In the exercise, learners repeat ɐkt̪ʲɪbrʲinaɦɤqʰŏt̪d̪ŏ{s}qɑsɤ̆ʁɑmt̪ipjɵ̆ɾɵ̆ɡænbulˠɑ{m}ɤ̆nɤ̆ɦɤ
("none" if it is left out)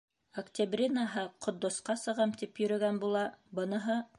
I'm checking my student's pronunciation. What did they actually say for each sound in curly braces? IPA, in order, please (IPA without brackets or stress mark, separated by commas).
s, b